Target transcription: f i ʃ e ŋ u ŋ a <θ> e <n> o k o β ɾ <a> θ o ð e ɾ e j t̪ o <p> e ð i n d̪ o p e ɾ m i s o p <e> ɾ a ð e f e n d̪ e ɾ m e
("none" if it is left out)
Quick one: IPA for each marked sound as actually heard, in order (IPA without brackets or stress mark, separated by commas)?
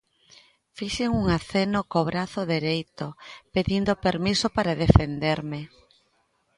θ, n, a, p, a